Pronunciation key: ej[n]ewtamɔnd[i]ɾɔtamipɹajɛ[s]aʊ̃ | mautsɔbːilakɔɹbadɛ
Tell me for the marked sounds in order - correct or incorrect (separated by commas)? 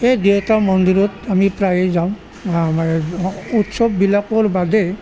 incorrect, correct, incorrect